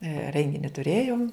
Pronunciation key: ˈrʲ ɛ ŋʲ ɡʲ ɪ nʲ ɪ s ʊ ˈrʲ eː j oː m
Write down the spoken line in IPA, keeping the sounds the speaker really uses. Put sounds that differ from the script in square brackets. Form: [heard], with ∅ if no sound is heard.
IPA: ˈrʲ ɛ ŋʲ ɡʲ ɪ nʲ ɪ [t] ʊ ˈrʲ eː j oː m